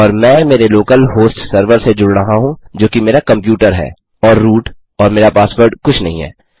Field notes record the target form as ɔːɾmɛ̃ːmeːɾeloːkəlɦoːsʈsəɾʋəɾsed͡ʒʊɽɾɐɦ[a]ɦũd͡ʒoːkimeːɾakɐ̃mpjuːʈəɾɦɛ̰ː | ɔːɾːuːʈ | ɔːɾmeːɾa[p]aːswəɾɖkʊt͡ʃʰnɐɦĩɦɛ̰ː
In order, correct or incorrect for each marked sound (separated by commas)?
correct, correct